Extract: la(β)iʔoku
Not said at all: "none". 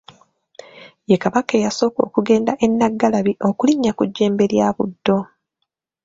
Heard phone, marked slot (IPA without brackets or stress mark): β